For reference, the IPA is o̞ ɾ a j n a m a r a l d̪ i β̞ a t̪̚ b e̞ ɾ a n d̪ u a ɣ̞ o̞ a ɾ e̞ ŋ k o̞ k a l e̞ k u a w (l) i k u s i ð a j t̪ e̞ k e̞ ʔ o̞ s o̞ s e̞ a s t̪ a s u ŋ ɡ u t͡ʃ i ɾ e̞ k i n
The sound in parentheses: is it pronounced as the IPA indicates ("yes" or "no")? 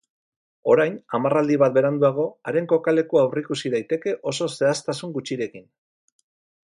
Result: no